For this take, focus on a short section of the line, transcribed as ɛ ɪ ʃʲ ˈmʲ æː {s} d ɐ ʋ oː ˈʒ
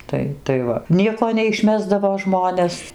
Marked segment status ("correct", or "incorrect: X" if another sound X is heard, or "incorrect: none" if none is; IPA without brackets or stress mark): incorrect: z